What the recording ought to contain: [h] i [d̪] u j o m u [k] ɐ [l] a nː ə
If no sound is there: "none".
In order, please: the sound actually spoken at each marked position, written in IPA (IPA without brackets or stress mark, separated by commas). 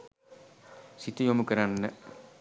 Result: s, t̪, k, ɾ